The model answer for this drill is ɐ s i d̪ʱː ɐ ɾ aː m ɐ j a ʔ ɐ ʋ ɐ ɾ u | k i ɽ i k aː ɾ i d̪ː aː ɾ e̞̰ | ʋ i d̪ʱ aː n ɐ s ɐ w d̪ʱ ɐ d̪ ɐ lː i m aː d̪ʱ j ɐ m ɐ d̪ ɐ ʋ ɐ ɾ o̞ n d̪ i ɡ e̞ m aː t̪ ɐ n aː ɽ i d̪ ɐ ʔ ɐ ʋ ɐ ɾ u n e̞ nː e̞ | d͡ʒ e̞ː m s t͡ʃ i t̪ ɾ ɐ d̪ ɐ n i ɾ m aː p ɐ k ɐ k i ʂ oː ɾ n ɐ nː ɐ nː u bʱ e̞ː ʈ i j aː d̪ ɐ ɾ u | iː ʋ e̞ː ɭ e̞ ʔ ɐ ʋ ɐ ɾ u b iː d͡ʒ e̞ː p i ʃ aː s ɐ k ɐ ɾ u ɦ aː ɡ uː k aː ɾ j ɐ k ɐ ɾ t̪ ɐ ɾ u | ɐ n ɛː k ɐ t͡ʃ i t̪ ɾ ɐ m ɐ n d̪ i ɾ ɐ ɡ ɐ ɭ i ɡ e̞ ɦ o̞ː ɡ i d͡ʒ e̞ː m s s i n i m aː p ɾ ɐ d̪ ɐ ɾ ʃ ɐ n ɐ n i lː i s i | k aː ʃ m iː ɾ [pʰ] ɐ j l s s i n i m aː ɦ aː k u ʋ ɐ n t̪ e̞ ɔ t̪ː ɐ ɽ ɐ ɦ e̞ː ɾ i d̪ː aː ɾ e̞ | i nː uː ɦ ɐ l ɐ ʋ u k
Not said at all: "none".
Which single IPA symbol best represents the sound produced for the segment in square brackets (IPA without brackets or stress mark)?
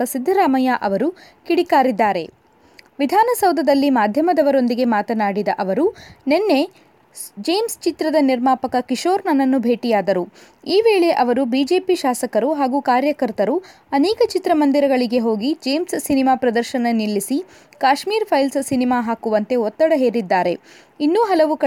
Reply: pʰ